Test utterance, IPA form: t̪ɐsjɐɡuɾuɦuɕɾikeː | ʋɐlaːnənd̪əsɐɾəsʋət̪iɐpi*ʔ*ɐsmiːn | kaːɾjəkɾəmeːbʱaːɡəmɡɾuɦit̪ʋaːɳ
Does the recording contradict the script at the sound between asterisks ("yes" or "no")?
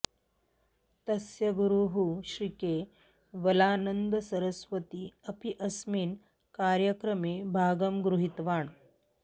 no